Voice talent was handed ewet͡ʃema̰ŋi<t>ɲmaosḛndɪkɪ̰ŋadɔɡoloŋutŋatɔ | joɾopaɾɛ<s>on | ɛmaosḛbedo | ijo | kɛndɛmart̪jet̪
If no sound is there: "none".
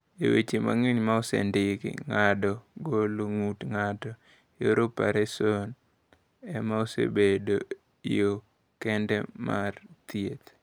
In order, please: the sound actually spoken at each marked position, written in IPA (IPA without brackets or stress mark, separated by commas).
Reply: none, s